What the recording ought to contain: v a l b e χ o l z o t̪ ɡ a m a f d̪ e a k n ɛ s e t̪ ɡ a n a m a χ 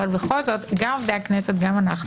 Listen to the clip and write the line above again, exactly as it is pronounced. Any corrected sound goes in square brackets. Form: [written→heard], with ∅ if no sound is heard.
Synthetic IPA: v a l b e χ o l z o t̪ ɡ a m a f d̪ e a k n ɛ s e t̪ ɡ a [n→m] a [m→n] a χ